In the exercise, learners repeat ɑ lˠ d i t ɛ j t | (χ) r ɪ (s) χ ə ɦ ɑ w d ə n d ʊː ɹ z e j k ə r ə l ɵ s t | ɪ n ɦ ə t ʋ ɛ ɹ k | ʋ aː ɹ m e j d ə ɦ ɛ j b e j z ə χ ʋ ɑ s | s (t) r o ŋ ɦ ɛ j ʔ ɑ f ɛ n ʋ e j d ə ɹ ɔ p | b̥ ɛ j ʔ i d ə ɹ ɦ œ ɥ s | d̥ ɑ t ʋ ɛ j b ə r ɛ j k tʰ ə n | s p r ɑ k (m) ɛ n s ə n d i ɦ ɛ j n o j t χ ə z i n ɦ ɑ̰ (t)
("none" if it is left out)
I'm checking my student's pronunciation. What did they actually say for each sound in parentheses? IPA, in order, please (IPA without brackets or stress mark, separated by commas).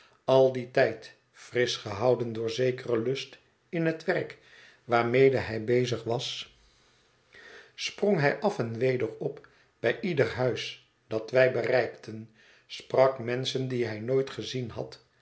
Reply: f, s, p, m, t